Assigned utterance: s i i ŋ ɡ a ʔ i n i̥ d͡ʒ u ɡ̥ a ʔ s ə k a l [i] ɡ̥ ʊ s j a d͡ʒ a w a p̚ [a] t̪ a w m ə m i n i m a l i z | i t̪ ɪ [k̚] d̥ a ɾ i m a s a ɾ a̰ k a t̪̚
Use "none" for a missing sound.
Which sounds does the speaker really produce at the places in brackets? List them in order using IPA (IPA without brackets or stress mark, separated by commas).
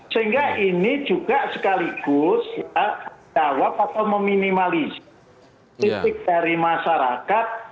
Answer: i, a, k̚